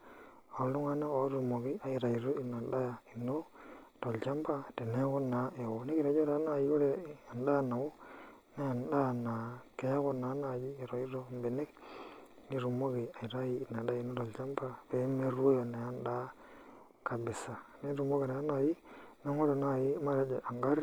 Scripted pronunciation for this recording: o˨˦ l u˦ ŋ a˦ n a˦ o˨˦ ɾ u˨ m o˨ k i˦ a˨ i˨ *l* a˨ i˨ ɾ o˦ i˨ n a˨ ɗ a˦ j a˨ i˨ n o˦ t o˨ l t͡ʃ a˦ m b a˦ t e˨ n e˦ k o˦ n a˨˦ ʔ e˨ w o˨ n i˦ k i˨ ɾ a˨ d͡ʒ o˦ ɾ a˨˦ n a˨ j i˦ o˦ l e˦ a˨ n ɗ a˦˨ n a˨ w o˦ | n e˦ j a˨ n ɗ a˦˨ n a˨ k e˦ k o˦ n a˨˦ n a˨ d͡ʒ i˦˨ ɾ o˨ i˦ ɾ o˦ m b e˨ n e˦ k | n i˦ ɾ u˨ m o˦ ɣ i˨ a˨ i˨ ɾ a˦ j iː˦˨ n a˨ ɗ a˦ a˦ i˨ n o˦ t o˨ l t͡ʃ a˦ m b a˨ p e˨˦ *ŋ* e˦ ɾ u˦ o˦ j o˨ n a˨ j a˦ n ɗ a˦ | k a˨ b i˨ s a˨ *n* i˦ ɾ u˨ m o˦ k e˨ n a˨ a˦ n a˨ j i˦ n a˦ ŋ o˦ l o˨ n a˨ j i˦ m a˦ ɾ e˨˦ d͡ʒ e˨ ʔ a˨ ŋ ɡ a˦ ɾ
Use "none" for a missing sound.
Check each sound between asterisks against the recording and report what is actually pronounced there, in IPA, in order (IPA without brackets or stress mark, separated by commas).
ɾ, m, n